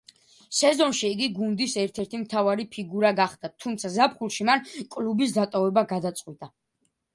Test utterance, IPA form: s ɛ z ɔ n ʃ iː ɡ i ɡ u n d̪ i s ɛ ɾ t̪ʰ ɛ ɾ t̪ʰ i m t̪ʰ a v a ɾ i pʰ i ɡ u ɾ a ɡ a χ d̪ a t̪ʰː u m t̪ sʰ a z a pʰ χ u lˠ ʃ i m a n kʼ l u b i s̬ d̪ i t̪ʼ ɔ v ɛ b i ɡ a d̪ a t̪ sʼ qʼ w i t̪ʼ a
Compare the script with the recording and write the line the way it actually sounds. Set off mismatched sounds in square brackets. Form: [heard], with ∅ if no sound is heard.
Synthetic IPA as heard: s ɛ z ɔ n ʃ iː ɡ i ɡ u n d̪ i s ɛ ɾ t̪ʰ ɛ ɾ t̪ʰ i m t̪ʰ a v a ɾ i pʰ i ɡ u ɾ a ɡ a χ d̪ a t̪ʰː u m t̪ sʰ a z a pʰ χ u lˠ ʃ i m a n kʼ l u b i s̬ d̪ [a] t̪ʼ ɔ v ɛ b [a] ɡ a d̪ a t̪ sʼ qʼ w i t̪ʼ a